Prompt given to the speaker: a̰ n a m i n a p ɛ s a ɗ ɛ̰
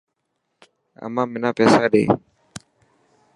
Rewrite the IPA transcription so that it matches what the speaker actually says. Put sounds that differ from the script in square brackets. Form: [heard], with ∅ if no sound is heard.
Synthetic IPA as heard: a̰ [m] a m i n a p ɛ s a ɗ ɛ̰